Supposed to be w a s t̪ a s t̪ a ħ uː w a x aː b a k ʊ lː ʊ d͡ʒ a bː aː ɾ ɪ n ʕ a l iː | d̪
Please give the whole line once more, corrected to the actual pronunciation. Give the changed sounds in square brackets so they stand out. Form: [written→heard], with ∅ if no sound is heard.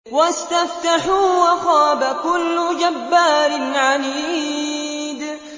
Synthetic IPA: w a s t̪ a [s→f] t̪ a ħ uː w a x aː b a k ʊ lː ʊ d͡ʒ a bː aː ɾ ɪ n ʕ a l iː | d̪